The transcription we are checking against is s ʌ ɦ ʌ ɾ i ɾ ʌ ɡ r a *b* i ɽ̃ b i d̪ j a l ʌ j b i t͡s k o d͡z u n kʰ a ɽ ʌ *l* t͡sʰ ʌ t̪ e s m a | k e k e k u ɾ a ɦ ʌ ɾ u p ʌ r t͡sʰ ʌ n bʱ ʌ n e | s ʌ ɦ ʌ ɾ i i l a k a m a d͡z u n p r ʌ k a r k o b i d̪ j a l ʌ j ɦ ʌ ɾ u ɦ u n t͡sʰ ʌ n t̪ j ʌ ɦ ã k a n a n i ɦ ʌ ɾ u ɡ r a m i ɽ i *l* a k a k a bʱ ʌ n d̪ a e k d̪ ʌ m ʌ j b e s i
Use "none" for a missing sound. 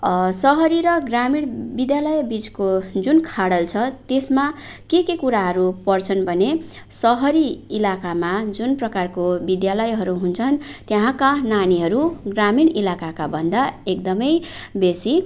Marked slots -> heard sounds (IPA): m, l, l

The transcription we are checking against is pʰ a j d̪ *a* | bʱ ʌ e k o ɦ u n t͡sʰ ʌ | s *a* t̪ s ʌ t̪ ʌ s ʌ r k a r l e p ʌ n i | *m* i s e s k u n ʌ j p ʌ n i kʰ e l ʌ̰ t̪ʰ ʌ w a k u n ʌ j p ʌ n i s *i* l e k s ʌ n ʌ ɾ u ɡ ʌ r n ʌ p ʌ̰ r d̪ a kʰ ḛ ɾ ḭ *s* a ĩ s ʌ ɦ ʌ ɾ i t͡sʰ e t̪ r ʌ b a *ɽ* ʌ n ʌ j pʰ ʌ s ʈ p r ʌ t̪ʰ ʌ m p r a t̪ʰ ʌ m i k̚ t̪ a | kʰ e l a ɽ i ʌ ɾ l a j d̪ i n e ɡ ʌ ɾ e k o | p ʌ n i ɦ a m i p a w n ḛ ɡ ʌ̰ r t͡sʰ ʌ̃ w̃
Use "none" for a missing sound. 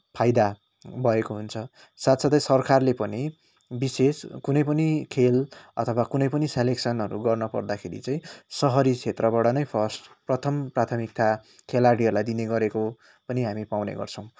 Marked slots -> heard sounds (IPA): a, a, b, e, t͡s, ɽ

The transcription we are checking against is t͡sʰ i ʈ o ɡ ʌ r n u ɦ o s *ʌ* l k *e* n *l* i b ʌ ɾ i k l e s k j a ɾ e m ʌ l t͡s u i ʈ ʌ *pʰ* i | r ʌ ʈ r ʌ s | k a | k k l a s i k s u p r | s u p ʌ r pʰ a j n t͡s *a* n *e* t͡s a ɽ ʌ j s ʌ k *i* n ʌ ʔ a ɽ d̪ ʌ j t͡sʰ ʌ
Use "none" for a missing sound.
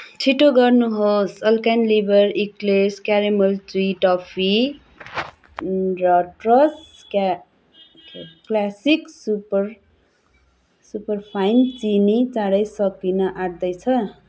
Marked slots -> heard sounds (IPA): ʌ, a, l, pʰ, i, i, i

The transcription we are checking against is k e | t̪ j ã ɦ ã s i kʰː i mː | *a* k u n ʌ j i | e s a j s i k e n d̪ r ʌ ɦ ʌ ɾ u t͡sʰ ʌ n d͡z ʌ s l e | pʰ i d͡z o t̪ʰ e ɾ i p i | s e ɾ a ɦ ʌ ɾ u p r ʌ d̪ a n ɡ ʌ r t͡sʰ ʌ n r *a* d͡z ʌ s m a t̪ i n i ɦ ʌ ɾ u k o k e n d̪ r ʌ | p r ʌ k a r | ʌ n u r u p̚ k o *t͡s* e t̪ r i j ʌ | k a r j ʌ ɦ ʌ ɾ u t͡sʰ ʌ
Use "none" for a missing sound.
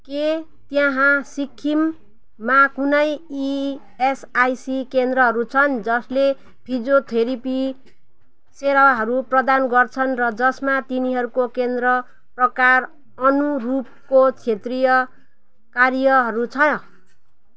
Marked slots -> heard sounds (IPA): a, ʌ, t͡sʰ

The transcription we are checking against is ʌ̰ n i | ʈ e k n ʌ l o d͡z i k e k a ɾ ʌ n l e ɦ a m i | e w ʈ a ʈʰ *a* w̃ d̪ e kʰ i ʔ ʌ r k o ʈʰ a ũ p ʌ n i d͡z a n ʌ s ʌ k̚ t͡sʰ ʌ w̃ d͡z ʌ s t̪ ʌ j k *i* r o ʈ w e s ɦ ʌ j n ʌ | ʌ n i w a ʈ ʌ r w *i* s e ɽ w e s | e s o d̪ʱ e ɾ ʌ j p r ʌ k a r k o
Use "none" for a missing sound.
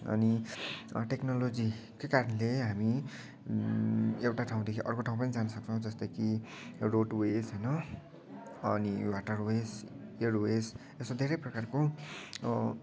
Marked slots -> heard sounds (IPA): a, i, e

